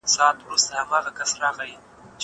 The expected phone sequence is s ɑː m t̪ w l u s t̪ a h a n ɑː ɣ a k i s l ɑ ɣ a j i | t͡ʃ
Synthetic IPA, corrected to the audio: s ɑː t̪ w ɾ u s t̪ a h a m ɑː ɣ a k a s ɾ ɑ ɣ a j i | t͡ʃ